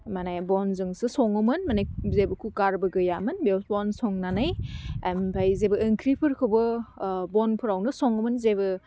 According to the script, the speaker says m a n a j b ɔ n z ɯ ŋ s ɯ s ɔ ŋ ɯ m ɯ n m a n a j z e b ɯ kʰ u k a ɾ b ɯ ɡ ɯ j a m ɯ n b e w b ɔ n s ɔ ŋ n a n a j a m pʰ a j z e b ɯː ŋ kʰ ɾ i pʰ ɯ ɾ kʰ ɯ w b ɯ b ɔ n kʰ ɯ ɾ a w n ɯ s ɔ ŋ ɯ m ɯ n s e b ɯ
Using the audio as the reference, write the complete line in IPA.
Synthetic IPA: m a n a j b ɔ n z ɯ ŋ s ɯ s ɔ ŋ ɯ m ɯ n m a n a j z e b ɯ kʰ u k a ɾ b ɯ ɡ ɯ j a m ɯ n b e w b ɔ n s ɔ ŋ n a n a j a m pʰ a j z e b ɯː ŋ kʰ ɾ i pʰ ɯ ɾ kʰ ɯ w b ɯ b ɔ n pʰ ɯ ɾ a w n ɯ s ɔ ŋ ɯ m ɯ n z e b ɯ